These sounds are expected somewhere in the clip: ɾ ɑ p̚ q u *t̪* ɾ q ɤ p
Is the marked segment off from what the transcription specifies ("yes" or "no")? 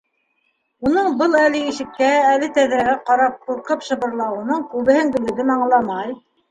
yes